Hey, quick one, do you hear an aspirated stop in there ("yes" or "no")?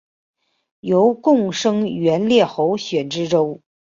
no